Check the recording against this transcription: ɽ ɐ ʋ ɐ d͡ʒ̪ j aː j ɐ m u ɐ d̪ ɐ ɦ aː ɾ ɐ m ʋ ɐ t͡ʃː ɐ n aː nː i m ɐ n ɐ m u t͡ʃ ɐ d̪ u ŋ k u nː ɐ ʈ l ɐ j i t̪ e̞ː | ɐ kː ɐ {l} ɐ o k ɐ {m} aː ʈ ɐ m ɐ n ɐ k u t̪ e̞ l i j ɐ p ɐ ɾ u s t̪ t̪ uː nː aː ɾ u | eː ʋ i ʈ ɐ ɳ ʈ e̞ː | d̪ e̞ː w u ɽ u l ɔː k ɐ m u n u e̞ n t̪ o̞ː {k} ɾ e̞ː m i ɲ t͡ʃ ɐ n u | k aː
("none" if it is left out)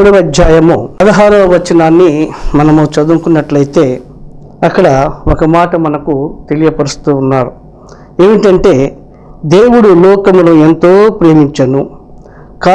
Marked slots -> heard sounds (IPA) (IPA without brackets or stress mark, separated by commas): ɽ, m, p